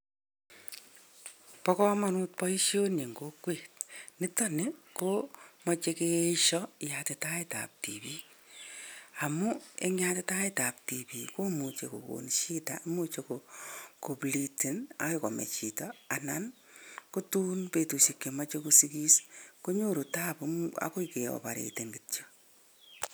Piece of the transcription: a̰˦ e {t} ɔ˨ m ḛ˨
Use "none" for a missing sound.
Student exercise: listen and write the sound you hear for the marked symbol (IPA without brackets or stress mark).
k